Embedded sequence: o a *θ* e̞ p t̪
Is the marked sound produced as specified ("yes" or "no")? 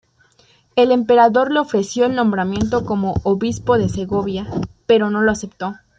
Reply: no